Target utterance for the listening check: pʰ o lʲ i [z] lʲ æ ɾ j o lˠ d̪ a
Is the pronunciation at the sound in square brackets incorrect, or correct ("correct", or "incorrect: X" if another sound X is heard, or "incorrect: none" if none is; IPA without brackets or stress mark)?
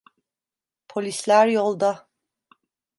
incorrect: s